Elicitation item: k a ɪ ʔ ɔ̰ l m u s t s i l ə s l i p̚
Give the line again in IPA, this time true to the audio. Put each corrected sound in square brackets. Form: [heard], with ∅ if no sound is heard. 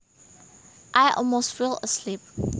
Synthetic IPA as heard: [ʔ] a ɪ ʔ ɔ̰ l m [o] s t [f] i l ə s l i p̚